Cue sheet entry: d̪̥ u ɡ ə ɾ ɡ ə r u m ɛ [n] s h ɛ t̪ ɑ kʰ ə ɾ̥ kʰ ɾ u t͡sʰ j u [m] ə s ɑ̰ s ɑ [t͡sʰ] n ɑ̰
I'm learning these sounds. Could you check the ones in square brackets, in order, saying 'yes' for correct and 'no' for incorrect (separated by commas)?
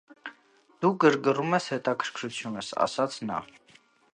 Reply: no, no, yes